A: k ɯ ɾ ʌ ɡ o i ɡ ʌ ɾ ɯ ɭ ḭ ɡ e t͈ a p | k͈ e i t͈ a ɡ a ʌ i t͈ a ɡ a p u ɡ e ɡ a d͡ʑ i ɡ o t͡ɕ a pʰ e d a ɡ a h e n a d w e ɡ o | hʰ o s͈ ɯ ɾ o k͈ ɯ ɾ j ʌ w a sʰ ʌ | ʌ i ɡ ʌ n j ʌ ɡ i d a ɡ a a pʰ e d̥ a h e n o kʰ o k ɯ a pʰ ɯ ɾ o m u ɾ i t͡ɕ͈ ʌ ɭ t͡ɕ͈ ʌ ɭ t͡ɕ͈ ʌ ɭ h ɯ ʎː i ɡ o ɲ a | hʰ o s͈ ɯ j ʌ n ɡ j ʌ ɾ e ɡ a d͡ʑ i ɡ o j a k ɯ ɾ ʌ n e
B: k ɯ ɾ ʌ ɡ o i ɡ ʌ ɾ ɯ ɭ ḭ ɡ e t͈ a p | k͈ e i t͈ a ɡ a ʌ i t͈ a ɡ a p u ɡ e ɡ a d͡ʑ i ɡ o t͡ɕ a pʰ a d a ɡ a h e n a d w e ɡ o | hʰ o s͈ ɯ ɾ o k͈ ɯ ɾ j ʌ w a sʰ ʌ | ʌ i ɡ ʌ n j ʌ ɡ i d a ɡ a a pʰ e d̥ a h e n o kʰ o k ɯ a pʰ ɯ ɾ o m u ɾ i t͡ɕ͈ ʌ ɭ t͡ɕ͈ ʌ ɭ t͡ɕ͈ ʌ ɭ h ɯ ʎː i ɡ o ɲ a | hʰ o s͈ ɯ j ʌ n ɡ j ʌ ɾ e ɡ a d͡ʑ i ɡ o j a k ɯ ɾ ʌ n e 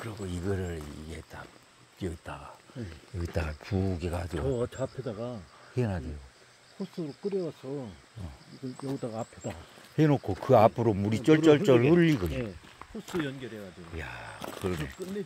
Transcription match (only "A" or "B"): A